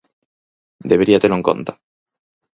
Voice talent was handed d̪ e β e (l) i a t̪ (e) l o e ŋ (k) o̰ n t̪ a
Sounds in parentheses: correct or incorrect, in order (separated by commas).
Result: incorrect, correct, correct